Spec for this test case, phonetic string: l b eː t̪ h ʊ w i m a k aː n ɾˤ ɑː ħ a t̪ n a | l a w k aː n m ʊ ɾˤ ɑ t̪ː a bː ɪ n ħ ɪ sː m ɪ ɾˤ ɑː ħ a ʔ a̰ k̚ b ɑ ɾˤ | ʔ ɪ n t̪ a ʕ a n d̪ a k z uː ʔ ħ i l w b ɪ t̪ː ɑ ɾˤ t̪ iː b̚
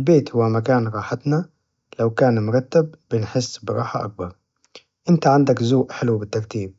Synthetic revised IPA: l b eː t̪ h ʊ w a m a k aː n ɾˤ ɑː ħ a t̪ n a | l a w k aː n m ʊ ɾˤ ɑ t̪ː a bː ɪ n ħ ɪ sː b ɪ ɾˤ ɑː ħ a ʔ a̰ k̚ b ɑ ɾˤ | ʔ ɪ n t̪ a ʕ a n d̪ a k z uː ʔ ħ ɪ l w b ɪ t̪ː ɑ ɾˤ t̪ iː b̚